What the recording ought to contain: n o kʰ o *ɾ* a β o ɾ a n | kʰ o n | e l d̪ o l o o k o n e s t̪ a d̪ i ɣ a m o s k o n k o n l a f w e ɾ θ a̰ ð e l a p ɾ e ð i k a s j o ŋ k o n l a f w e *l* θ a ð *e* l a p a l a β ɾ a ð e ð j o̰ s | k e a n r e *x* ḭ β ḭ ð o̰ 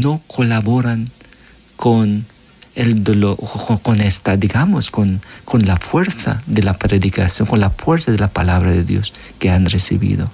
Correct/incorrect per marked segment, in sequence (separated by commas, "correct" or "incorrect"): incorrect, incorrect, correct, incorrect